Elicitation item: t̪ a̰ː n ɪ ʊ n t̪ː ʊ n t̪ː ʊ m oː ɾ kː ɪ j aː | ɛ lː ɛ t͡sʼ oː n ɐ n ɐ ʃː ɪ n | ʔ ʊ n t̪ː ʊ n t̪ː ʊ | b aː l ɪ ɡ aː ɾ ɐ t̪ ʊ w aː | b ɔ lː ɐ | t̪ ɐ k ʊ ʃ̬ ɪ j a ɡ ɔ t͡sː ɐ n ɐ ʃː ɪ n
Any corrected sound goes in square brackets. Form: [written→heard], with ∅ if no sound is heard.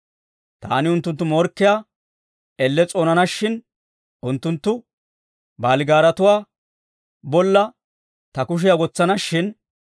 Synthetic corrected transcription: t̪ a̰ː n ɪ ʊ n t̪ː ʊ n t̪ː ʊ m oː ɾ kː ɪ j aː | ɛ lː ɛ t͡sʼ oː n ɐ n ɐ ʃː ɪ n | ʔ ʊ n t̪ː ʊ n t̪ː ʊ | b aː l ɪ ɡ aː ɾ ɐ t̪ ʊ w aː | b ɔ lː ɐ | t̪ ɐ k ʊ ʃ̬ ɪ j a ɡ ɔ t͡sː ɐ n ɐ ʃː ɪ n